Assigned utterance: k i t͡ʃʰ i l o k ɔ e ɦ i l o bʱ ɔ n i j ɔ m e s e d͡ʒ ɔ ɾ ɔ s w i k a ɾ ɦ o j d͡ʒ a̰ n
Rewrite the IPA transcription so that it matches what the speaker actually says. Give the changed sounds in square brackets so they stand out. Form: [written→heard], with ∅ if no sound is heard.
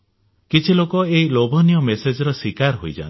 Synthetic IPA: k i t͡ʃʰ i l o k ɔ e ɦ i l o bʱ ɔ n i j ɔ m e s e d͡ʒ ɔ ɾ ɔ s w i k a ɾ ɦ o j d͡ʒ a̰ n